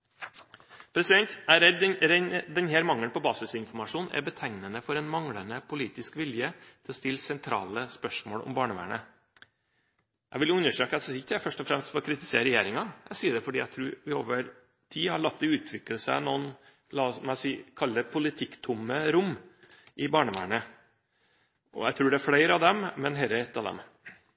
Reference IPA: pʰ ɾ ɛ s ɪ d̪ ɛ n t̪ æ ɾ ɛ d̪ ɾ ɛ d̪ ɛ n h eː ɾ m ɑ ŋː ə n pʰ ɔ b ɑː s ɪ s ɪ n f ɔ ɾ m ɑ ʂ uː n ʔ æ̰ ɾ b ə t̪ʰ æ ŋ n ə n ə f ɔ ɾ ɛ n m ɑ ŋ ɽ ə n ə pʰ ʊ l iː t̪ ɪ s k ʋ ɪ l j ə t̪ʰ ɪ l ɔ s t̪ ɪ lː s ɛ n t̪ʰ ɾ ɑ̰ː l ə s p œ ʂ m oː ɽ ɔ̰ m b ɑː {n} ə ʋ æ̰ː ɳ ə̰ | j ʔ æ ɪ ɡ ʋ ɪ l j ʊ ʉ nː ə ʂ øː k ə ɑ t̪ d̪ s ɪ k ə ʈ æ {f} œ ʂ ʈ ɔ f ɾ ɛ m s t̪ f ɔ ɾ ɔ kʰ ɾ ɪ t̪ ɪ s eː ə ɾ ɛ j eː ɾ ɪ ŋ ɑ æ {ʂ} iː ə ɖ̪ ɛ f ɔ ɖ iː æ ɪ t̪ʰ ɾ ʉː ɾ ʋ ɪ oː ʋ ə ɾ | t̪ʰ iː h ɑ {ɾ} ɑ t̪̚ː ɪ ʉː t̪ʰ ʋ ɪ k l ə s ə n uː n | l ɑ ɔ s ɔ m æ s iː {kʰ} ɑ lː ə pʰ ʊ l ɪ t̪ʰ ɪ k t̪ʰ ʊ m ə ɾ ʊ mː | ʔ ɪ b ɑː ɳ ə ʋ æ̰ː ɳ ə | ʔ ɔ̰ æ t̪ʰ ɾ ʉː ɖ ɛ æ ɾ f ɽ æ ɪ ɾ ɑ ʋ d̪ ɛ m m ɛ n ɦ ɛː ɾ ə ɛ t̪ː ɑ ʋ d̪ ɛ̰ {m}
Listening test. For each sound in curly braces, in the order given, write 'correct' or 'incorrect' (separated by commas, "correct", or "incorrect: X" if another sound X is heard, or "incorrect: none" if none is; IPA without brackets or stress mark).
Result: incorrect: ɳ, correct, incorrect: s, incorrect: ɭ, correct, correct